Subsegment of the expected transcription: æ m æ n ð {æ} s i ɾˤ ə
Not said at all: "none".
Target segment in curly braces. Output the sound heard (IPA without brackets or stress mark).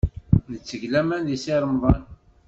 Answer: i